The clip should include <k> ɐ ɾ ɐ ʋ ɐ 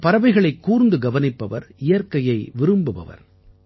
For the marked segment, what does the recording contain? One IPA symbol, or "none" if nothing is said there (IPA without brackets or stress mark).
p